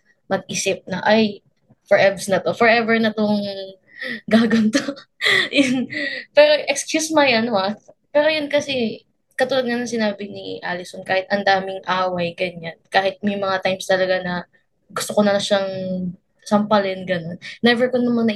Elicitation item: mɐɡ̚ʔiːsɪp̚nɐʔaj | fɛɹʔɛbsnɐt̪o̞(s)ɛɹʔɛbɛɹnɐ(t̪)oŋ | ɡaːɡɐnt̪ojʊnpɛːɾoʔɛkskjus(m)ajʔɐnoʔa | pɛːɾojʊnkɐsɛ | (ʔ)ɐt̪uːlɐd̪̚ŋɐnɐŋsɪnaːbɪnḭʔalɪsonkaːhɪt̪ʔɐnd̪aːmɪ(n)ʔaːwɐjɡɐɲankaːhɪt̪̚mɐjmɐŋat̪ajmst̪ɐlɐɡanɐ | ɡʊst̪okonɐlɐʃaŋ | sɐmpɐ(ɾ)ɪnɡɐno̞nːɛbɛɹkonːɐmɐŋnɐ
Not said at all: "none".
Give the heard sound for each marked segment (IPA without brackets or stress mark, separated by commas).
f, t̪, m, k, ŋ, l